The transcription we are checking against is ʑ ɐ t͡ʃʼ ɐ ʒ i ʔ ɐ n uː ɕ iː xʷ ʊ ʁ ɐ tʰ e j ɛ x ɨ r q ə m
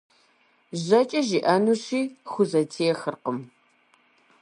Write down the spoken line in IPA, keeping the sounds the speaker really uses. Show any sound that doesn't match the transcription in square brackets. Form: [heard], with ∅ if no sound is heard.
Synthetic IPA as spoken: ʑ ɐ t͡ʃʼ ɐ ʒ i ʔ ɐ n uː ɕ iː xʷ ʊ [z] ɐ tʰ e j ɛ x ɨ r q ə m

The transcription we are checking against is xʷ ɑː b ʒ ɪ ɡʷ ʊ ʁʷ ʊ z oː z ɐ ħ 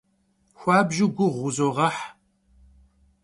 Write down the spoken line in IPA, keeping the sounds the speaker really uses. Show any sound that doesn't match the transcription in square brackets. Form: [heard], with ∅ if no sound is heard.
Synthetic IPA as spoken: xʷ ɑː b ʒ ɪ ɡʷ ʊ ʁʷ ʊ z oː [ʁ] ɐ ħ

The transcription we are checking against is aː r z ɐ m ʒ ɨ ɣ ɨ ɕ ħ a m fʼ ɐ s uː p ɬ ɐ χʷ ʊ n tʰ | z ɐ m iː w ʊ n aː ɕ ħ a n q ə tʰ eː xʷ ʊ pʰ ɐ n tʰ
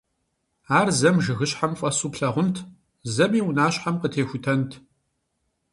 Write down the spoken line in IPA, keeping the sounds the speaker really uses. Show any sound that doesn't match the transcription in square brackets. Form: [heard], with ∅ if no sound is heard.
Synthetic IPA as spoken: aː r z ɐ m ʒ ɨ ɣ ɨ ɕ ħ a m fʼ ɐ s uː p ɬ ɐ [ʁʷ] ʊ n tʰ | z ɐ m iː w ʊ n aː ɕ ħ a [m] q ə tʰ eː xʷ ʊ [tʰ] ɐ n tʰ

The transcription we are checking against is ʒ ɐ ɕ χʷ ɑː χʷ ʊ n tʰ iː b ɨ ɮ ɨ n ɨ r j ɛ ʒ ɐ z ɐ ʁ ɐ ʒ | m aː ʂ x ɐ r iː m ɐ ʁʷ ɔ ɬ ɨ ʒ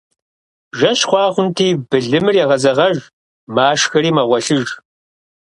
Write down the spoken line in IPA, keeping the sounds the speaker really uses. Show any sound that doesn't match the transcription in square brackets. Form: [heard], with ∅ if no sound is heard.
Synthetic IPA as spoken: ʒ ɐ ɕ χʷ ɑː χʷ ʊ n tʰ iː b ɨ ɮ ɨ [m] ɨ r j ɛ [ʁ] ɐ z ɐ ʁ ɐ ʒ | m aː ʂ x ɐ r iː m ɐ ʁʷ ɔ ɬ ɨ ʒ

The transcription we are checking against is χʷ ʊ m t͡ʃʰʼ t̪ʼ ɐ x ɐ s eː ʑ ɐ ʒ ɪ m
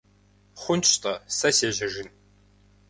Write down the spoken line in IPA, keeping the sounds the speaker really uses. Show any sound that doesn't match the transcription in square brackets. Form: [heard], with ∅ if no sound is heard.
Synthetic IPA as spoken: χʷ ʊ [n] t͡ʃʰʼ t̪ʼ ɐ [s] ɐ s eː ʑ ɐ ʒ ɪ [n]

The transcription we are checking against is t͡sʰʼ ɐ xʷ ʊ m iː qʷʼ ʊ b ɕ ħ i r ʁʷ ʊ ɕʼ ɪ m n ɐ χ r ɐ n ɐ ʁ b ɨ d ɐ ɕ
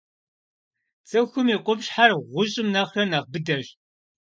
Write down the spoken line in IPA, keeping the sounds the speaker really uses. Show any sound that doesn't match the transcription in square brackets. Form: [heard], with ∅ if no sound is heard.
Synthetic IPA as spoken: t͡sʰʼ ɐ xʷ ʊ m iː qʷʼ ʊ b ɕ ħ [a] r ʁʷ ʊ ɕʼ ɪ m n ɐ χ r ɐ n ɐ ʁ b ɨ d ɐ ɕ

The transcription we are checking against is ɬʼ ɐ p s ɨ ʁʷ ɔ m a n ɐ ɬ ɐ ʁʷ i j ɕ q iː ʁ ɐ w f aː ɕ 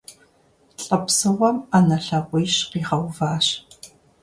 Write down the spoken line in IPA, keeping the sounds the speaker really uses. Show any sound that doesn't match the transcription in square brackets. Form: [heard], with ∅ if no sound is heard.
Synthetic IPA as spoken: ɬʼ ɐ p s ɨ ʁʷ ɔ m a n ɐ ɬ ɐ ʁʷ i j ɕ q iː ʁ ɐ w [v] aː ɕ

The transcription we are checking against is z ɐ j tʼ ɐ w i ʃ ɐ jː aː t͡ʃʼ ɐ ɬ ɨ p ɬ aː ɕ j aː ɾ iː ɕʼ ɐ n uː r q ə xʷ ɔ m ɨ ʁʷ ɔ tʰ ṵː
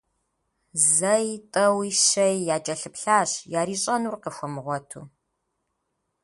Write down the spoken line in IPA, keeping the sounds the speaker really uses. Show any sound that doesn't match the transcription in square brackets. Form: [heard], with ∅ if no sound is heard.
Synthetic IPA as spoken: z ɐ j tʼ ɐ w i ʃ ɐ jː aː t͡ʃʼ ɐ ɬ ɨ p ɬ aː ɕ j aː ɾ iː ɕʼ ɐ n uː r q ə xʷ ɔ m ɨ ʁʷ ɔ tʰ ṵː

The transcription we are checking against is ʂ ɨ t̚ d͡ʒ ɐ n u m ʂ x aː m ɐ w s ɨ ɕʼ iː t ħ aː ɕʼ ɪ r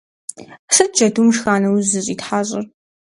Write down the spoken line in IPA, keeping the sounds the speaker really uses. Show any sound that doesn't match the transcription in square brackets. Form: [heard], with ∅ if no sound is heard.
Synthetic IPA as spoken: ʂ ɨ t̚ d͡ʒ ɐ [d] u m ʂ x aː [n] ɐ w [z] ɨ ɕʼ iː t ħ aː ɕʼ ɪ r

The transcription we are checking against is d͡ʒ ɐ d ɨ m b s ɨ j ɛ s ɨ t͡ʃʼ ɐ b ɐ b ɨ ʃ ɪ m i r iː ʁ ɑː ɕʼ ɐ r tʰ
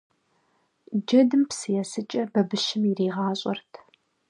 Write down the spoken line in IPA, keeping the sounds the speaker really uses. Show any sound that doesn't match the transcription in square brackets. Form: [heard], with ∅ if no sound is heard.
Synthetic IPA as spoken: d͡ʒ ɐ d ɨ m [p] s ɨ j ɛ s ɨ t͡ʃʼ ɐ b ɐ b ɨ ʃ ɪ m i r iː ʁ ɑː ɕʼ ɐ r tʰ

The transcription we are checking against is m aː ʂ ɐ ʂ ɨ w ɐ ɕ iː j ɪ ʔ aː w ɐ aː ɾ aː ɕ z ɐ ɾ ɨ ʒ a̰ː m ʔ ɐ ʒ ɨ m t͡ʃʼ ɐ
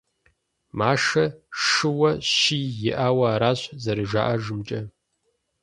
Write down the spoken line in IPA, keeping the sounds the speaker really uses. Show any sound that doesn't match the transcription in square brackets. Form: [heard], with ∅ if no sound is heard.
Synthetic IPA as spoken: m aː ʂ ɐ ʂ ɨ w ɐ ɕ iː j ɪ ʔ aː w ɐ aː ɾ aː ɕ z ɐ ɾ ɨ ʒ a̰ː [∅] ʔ ɐ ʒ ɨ m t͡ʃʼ ɐ

